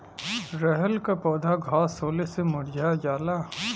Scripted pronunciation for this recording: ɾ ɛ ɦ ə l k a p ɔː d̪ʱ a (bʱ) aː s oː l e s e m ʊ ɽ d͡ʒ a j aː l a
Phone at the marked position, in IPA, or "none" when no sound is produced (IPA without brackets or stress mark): ɡʱ